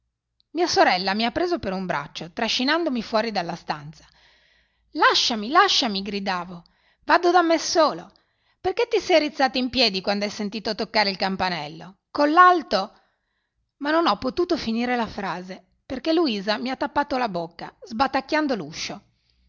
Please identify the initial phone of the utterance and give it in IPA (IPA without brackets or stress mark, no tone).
m